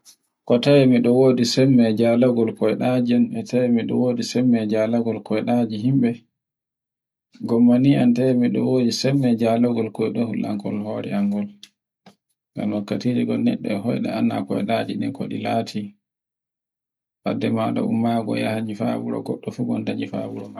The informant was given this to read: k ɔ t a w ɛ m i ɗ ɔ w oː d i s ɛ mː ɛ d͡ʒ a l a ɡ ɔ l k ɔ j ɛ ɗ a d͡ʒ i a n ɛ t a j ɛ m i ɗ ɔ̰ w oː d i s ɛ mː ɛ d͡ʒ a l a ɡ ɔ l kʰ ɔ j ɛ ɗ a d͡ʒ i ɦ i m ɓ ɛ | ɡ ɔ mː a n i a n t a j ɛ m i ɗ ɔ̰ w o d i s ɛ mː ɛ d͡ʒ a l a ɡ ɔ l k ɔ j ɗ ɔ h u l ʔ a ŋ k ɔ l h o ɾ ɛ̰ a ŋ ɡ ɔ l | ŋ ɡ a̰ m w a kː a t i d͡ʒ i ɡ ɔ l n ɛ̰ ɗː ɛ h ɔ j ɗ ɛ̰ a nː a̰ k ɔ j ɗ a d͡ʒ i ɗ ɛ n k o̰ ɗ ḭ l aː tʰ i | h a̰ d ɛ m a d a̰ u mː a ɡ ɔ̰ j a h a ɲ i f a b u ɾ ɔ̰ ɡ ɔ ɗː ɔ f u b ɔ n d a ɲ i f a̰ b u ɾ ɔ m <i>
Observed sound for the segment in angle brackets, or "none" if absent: a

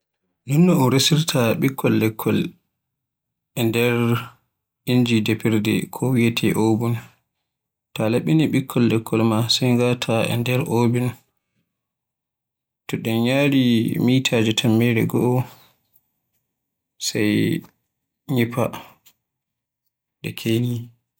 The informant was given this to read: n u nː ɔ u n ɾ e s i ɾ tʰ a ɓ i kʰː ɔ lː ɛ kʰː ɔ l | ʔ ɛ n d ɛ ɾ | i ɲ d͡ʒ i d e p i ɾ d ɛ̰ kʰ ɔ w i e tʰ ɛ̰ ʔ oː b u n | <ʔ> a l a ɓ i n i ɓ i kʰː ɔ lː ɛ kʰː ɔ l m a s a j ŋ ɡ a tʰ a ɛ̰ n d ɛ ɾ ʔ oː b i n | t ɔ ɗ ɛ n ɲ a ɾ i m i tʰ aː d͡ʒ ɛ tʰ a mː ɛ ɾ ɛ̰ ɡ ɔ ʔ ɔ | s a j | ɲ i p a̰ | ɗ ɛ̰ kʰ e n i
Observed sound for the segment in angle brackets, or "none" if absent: t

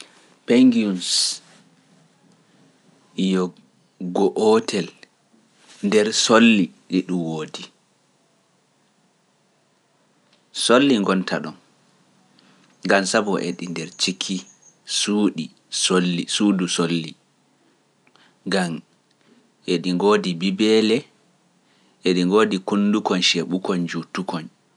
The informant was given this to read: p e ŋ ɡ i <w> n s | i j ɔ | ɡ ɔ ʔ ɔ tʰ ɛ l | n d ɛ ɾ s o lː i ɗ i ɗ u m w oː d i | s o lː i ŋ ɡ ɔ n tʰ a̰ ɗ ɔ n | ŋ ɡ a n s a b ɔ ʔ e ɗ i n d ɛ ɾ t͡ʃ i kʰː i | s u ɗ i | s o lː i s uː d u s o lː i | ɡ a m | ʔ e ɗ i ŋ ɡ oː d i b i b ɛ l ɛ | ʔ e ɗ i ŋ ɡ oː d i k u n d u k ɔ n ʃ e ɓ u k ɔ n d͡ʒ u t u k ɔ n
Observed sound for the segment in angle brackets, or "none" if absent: u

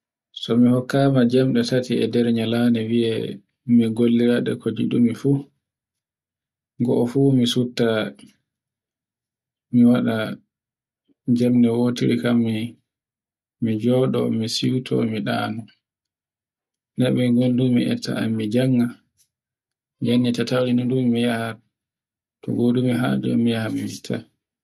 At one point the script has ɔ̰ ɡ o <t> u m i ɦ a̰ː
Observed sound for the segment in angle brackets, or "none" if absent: d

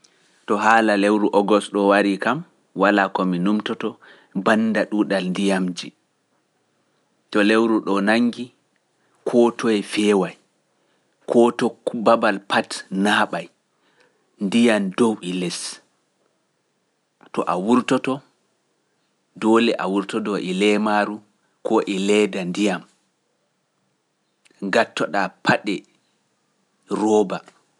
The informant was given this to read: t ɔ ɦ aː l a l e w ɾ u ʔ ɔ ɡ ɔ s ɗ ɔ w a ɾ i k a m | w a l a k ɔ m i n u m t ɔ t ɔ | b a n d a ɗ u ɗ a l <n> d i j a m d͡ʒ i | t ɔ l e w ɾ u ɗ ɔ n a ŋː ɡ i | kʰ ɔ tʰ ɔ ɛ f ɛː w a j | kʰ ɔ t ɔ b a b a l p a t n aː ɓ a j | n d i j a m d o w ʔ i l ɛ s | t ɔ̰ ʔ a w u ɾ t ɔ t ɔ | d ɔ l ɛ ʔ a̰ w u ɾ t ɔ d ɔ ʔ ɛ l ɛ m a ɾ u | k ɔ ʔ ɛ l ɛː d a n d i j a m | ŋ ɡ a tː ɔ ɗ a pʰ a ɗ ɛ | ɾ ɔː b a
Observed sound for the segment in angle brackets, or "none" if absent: n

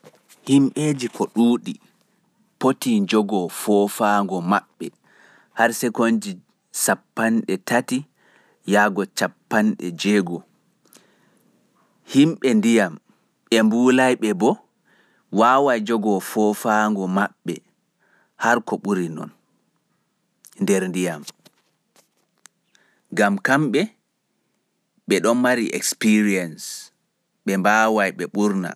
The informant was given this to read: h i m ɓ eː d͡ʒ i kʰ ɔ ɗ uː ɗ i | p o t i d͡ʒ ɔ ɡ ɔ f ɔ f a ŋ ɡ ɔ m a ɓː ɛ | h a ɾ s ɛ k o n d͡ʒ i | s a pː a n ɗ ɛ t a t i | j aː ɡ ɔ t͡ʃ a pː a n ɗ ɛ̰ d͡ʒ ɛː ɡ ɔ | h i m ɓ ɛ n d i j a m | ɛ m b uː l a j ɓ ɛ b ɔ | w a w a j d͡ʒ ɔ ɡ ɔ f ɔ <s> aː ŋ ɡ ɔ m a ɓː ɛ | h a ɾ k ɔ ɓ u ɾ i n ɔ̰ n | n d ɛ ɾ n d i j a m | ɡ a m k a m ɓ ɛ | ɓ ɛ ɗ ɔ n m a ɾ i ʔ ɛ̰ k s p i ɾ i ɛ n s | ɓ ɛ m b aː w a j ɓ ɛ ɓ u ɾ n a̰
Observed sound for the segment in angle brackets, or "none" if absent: f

